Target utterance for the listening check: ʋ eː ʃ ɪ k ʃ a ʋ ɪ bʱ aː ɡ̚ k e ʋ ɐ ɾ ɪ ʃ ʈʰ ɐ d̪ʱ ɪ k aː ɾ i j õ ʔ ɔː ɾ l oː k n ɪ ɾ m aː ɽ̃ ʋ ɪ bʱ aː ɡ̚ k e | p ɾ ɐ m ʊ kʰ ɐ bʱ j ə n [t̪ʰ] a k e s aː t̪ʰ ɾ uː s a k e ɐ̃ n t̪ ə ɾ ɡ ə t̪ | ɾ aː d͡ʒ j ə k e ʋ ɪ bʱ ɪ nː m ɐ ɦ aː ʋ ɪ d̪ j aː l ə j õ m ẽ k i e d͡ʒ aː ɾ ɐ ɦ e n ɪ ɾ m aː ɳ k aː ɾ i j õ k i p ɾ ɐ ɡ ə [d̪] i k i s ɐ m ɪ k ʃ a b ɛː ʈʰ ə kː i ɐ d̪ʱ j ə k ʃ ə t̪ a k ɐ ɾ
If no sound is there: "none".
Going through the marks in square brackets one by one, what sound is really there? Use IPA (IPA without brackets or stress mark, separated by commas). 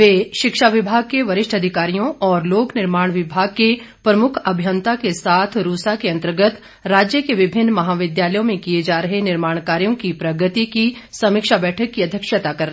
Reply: t̪, t̪